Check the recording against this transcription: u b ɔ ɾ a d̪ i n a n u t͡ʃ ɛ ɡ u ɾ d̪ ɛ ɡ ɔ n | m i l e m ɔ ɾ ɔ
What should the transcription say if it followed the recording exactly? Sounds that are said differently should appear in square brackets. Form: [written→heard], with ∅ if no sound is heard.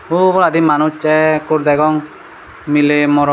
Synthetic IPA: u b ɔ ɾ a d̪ i [n→m] a n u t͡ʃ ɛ [ɡ→k] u ɾ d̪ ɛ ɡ ɔ [n→ŋ] | m i l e m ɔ ɾ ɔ